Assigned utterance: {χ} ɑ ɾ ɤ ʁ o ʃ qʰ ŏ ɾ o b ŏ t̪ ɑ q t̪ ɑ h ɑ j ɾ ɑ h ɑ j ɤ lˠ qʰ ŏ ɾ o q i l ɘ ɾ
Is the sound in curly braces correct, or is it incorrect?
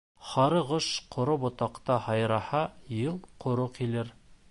correct